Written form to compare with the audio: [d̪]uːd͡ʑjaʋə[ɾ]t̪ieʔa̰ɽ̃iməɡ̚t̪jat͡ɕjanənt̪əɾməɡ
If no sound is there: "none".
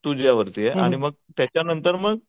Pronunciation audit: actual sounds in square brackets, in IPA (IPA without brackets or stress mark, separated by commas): t̪, ɾ